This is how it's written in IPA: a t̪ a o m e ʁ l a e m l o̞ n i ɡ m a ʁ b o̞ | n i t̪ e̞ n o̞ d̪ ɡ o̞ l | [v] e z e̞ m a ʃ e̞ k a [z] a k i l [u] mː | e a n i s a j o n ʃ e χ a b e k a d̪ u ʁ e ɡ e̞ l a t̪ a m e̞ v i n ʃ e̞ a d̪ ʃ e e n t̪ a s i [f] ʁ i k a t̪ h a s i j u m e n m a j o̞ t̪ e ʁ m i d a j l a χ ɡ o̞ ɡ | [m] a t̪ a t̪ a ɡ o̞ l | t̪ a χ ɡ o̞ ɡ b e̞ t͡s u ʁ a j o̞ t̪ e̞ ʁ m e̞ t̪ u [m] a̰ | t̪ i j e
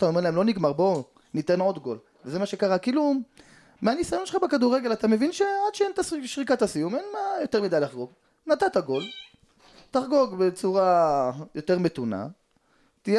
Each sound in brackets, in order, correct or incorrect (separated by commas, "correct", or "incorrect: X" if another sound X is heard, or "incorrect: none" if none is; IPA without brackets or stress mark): correct, incorrect: ʁ, correct, incorrect: ʃ, incorrect: n, incorrect: n